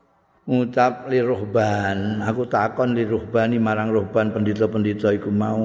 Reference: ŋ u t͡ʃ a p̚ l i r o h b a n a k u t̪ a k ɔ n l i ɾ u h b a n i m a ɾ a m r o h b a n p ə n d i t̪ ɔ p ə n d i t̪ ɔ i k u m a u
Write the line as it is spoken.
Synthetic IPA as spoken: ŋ u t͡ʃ a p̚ l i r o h b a n a k u t̪ a k ɔ n l i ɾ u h b a n i m a ɾ a ŋ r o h b a n p ə n d i t̪ ɔ p ə n d i t̪ ɔ i k u m a u